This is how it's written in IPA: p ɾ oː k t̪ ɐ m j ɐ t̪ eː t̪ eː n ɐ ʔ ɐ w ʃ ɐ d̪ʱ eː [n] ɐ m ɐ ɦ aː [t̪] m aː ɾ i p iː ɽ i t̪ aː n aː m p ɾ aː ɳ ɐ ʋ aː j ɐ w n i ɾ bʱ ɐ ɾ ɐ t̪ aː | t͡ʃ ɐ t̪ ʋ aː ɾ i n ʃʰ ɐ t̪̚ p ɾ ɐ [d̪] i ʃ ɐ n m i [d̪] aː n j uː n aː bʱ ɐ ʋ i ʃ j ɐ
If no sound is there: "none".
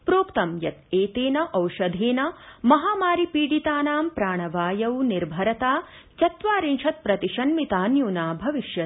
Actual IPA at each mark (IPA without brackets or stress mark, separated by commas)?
n, none, t̪, t̪